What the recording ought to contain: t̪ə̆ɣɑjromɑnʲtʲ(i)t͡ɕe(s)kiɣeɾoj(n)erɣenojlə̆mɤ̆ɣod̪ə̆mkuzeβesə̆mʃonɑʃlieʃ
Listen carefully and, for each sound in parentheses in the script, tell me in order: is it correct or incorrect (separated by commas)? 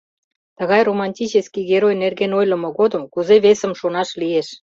correct, correct, correct